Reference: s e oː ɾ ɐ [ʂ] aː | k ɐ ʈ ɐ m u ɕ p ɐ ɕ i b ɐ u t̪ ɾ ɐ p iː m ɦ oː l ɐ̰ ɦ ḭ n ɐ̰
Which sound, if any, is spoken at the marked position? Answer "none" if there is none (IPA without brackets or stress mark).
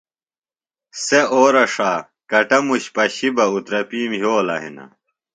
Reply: ʂ